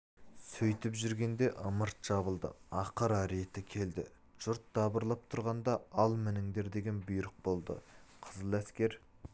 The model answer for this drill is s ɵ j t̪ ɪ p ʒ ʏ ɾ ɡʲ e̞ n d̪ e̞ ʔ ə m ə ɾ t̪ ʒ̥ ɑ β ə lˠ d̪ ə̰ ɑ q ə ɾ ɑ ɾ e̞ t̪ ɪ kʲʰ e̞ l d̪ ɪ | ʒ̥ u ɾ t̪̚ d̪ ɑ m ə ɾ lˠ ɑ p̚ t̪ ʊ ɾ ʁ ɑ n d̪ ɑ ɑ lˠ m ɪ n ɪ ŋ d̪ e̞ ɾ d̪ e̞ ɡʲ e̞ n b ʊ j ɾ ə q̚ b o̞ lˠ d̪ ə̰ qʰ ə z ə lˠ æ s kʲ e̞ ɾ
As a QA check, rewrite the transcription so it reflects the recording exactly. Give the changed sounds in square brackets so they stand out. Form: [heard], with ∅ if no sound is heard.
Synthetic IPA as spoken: s ɵ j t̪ ɪ p ʒ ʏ ɾ ɡʲ e̞ n d̪ e̞ ʔ ə m ə ɾ t̪ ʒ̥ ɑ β ə lˠ d̪ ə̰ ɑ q ə ɾ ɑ ɾ e̞ t̪ ɪ kʲʰ e̞ l d̪ ɪ | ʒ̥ [ʊ] ɾ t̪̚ d̪ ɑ [b] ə ɾ lˠ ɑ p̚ [t̪ʰ] ʊ ɾ ʁ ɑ n d̪ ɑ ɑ lˠ m ɪ n ɪ ŋ d̪ e̞ ɾ d̪ e̞ ɡʲ e̞ n b ʊ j ɾ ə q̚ b o̞ lˠ d̪ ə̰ qʰ ə z ə lˠ æ s kʲ e̞ ɾ